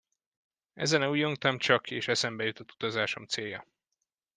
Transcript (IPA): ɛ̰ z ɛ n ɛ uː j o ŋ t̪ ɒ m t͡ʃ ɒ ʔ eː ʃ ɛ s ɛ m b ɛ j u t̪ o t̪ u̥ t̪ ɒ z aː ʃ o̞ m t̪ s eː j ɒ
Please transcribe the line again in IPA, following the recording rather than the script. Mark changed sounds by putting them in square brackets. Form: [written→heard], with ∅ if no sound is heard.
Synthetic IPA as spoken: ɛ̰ z ɛ n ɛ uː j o ŋ t̪ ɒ m t͡ʃ ɒ [ʔ→k] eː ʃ ɛ s ɛ m b ɛ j u t̪ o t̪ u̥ t̪ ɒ z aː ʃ o̞ m t̪ s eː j ɒ